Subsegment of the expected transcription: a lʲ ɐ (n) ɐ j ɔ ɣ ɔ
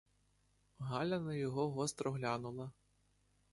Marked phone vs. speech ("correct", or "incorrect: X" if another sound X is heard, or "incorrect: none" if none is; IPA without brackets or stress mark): correct